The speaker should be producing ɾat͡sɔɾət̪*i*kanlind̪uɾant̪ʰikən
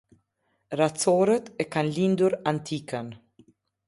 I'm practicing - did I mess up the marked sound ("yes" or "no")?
yes